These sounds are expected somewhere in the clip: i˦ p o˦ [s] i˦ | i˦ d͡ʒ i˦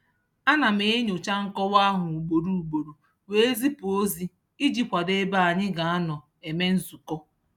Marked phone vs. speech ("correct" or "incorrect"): incorrect